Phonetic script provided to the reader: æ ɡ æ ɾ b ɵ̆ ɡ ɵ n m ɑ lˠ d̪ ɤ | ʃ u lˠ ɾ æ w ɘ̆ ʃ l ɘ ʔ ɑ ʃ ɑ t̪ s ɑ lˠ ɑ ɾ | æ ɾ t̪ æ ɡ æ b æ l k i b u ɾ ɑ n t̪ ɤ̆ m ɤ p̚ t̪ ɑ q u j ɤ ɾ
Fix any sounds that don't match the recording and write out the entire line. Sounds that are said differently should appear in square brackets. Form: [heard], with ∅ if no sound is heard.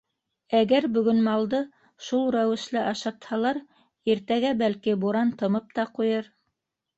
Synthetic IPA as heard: æ ɡ æ ɾ b ɵ̆ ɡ ɵ n m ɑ lˠ d̪ ɤ | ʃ u lˠ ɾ æ w ɘ̆ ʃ l ɘ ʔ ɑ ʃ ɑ t̪ [h] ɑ lˠ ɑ ɾ | [i] ɾ t̪ æ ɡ æ b æ l k i b u ɾ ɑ n t̪ ɤ̆ m ɤ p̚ t̪ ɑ q u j ɤ ɾ